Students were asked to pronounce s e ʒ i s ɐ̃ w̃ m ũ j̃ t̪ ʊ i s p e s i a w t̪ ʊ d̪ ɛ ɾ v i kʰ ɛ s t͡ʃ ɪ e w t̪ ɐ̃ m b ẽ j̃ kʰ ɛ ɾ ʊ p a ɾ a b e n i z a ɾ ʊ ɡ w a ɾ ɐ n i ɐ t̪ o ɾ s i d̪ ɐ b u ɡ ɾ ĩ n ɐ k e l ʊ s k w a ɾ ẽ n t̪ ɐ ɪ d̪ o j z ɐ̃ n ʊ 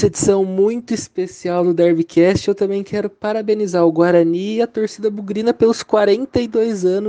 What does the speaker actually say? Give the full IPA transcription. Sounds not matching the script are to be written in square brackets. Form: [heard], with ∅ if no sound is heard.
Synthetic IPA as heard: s e [d͡ʒ] i s ɐ̃ w̃ m ũ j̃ t̪ ʊ i s p e s i a w [d̪] ʊ d̪ ɛ ɾ v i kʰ ɛ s t͡ʃ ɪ e w t̪ ɐ̃ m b ẽ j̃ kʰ ɛ ɾ ʊ p a ɾ a b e n i z a ɾ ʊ ɡ w a ɾ ɐ n i ɐ t̪ o ɾ s i d̪ ɐ b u ɡ ɾ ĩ n ɐ [p] e l ʊ s k w a ɾ ẽ n t̪ ɐ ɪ d̪ o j z ɐ̃ n ʊ